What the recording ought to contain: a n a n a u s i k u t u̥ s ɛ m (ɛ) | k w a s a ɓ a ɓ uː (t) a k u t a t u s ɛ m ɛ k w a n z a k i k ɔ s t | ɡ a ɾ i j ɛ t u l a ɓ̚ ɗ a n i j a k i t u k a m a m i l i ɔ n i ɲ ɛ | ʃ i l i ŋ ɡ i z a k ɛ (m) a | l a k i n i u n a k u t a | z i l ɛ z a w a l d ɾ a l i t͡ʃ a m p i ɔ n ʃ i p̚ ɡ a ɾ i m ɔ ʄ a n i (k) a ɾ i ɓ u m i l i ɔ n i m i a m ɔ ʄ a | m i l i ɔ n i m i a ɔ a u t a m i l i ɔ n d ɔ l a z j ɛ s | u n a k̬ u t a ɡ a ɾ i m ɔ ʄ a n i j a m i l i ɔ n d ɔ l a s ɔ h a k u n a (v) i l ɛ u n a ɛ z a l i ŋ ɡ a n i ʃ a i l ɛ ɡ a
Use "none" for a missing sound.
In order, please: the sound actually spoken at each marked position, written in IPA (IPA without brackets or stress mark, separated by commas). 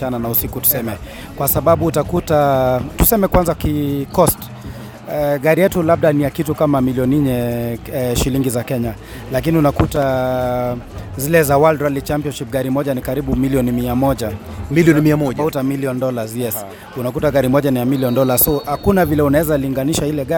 ɛ, t, ɲ, k, v